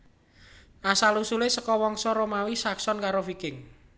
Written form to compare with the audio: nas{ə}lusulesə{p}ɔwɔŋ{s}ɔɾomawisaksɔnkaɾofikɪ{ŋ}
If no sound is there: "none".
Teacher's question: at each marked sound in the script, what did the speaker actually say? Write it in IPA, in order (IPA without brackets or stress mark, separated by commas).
a, k, s, ŋ